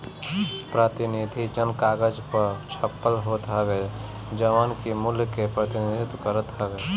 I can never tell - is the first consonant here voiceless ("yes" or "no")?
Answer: yes